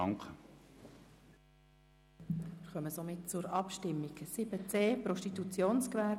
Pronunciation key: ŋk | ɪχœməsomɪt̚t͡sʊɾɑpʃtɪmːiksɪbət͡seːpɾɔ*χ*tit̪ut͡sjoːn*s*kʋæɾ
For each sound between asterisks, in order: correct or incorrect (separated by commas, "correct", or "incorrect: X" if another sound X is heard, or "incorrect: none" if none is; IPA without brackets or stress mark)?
incorrect: ʃ, correct